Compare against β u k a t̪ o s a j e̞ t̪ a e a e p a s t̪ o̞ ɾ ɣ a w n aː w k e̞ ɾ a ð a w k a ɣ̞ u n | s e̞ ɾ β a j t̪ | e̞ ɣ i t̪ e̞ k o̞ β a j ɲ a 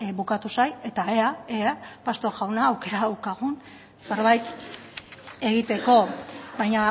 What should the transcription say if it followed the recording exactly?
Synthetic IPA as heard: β u k a t̪ u s a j e̞ t̪ a e a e p a s t̪ o̞ ɾ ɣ a w n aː w k e̞ ɾ a ð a w k a ɣ̞ u n | s e̞ ɾ β a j t̪ | e̞ ɣ i t̪ e̞ k o̞ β a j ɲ a